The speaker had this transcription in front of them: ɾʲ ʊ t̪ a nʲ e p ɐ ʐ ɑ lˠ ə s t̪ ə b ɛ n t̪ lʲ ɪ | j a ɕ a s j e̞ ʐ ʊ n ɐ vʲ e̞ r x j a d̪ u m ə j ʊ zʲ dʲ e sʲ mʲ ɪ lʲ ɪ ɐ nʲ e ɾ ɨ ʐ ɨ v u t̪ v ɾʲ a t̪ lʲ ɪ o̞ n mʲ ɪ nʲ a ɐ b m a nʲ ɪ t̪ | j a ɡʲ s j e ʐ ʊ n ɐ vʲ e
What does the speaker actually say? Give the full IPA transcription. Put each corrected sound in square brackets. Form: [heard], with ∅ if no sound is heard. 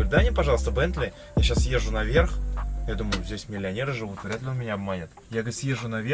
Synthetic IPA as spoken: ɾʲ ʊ [d̪] a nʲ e p ɐ ʐ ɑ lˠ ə s t̪ ə b ɛ n t̪ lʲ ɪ | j a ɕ a s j e̞ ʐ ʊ n ɐ vʲ e̞ r x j a d̪ u m ə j ʊ zʲ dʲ e sʲ mʲ ɪ lʲ ɪ ɐ nʲ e ɾ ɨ ʐ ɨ v u t̪ v ɾʲ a t̪ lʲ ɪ o̞ n mʲ ɪ nʲ a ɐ b m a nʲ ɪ t̪ | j a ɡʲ s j e ʐ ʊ n ɐ vʲ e

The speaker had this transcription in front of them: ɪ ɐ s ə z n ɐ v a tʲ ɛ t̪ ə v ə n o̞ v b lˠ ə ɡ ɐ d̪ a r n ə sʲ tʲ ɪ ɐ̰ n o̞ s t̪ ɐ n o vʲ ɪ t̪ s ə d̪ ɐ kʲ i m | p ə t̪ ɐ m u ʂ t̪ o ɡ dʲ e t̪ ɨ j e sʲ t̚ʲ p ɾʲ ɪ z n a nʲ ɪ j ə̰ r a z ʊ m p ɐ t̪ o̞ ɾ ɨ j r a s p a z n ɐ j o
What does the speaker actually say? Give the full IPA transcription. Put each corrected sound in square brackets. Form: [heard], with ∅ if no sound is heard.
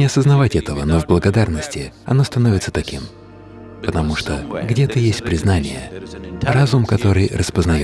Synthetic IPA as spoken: ɪ ɐ s ə z n ɐ v a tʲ ɛ t̪ ə v ə n o̞ v b lˠ ə ɡ ɐ d̪ a r n ə sʲ tʲ ɪ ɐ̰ n o̞ s t̪ ɐ n o vʲ ɪ t̪ s ə [t̪] ɐ kʲ i m | p ə t̪ ɐ m u ʂ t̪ o ɡ dʲ e t̪ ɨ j e sʲ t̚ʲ p ɾʲ ɪ z n a nʲ ɪ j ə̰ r a z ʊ m [k] ɐ t̪ o̞ ɾ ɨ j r [ə] s p [ə] z n ɐ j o

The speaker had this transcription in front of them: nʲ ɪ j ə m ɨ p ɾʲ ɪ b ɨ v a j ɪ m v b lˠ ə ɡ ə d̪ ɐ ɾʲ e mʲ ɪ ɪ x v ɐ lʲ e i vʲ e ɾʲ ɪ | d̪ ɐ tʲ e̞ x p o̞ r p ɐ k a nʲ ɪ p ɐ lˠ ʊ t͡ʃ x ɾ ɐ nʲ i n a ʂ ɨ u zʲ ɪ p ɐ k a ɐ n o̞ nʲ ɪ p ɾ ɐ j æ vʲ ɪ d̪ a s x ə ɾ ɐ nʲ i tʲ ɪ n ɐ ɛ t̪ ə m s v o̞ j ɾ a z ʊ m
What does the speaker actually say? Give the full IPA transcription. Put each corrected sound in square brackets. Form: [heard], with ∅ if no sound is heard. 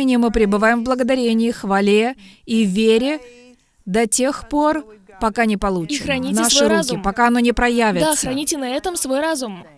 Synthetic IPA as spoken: nʲ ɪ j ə m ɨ p ɾʲ ɪ b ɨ v a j ɪ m v b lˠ ə ɡ ə d̪ ɐ ɾʲ e [nʲ] ɪ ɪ x v ɐ lʲ e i vʲ e ɾʲ ɪ | d̪ ɐ tʲ e̞ x p o̞ r p ɐ k a nʲ ɪ p ɐ lˠ [u] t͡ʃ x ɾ ɐ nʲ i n a ʂ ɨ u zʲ ɪ p ɐ k a ɐ n o̞ nʲ ɪ p ɾ ɐ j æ vʲ ɪ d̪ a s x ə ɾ ɐ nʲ i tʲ ɪ n ɐ ɛ t̪ ə m s v o̞ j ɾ a z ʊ m

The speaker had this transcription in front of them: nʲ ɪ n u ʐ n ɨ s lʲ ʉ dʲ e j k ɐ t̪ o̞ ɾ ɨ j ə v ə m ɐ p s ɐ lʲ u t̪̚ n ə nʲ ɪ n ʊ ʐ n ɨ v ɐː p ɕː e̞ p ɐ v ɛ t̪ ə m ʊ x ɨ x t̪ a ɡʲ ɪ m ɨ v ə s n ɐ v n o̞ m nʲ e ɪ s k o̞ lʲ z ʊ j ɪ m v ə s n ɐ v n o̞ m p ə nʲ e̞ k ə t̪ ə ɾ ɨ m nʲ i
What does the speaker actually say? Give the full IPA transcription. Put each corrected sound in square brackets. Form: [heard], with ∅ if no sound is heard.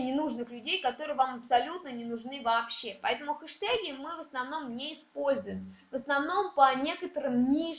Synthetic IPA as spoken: nʲ ɪ n u ʐ n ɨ [x] lʲ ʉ dʲ e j k ɐ t̪ o̞ ɾ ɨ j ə v [a] m ɐ p s ɐ lʲ u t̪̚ n ə nʲ ɪ n ʊ ʐ n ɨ v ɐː p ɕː e̞ p ɐ [∅] ɛ t̪ ə m ʊ x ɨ [ʂ] t̪ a ɡʲ ɪ m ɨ v ə s n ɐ v n o̞ m nʲ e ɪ s [p] o̞ lʲ z ʊ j ɪ m v ə s n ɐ v n o̞ m p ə nʲ e̞ k ə t̪ ə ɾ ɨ m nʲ i

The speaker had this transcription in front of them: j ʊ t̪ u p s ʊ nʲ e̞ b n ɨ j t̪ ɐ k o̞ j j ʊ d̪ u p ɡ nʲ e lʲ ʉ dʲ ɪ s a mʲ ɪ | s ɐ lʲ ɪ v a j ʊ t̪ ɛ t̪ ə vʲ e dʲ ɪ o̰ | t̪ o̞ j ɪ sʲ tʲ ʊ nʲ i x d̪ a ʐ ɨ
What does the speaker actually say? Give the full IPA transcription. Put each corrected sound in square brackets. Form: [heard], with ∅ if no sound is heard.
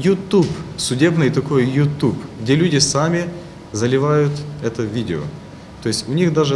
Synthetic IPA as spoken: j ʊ t̪ u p s ʊ [dʲ] e̞ b n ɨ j t̪ ɐ k o̞ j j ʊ [t̪] u p ɡ [dʲ] e lʲ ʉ dʲ ɪ s a mʲ ɪ | [z] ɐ lʲ ɪ v a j ʊ t̪ ɛ t̪ ə vʲ [i] dʲ ɪ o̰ | t̪ o̞ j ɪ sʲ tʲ ʊ nʲ i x d̪ a ʐ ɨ

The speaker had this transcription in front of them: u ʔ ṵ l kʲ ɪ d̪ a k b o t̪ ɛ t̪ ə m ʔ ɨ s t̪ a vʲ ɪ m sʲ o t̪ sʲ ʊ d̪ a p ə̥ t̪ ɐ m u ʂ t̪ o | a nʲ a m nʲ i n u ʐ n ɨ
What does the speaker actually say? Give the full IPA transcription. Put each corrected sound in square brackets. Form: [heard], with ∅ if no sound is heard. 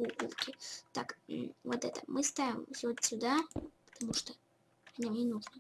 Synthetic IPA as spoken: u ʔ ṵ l kʲ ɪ [t̪] a k [v] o t̪ ɛ t̪ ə m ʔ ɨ s t̪ a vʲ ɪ m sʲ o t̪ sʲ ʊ d̪ a p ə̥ t̪ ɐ m u ʂ t̪ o | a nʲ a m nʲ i n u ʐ n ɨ

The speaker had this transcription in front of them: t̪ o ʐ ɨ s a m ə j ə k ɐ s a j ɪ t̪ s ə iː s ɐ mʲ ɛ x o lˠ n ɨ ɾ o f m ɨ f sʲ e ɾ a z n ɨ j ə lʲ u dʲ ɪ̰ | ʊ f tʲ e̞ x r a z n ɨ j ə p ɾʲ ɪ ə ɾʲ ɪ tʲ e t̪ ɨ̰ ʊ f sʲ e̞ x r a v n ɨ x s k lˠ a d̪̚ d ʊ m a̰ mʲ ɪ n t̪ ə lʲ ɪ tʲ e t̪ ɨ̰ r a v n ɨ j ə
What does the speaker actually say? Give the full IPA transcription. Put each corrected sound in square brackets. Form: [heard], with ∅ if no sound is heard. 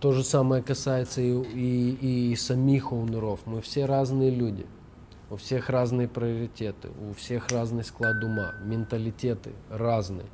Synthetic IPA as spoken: t̪ o ʐ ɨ s a m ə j ə k ɐ s a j ɪ t̪ s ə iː s ɐ mʲ [i] x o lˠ n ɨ ɾ o f m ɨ f sʲ e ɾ a z n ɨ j ə lʲ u dʲ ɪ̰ | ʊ f [sʲ] e̞ x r a z n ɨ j ə p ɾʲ ɪ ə ɾʲ ɪ tʲ e t̪ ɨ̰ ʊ f sʲ e̞ x r a [z] n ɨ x s k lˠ a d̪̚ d ʊ m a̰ mʲ ɪ n t̪ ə lʲ ɪ tʲ e t̪ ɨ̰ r a [z] n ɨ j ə

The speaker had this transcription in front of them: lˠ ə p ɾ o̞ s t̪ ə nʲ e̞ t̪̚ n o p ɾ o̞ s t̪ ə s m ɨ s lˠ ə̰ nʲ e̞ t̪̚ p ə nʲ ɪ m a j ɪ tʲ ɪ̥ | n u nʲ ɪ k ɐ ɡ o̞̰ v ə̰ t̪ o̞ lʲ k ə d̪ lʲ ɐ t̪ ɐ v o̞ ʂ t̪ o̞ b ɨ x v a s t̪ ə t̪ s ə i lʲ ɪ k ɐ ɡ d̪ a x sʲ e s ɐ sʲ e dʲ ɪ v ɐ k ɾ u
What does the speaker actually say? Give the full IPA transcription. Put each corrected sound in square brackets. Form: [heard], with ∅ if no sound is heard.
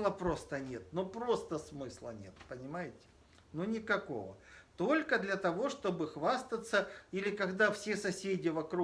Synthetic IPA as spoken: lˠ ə p ɾ o̞ s t̪ ə nʲ e̞ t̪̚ n o p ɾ o̞ s t̪ ə s m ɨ s lˠ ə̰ nʲ e̞ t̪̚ p ə nʲ ɪ m a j ɪ tʲ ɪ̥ | n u nʲ ɪ k ɐ [k] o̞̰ v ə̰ t̪ o̞ lʲ k ə d̪ lʲ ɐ t̪ ɐ v o̞ ʂ t̪ o̞ b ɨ x v a s t̪ ə t̪ s ə i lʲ ɪ k ɐ ɡ d̪ a [f] sʲ e s ɐ sʲ e dʲ ɪ v ɐ k ɾ u

